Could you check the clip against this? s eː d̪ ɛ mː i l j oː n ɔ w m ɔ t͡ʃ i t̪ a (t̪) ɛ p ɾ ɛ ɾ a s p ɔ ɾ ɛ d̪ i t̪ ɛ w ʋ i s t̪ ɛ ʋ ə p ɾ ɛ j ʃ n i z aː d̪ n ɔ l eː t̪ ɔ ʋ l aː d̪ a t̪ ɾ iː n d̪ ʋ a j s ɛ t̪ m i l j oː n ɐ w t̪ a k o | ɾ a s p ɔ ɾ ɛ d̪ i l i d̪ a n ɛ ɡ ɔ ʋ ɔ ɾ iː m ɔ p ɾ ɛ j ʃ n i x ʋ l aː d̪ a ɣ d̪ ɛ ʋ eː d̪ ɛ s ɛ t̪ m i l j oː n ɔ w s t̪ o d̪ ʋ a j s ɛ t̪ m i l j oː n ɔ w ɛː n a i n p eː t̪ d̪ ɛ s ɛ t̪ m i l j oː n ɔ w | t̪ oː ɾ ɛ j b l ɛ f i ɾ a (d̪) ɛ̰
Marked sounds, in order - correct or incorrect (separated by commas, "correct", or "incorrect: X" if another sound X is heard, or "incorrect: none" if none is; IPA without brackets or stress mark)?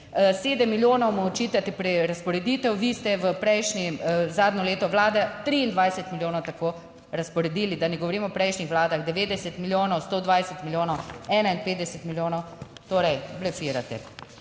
correct, incorrect: t̪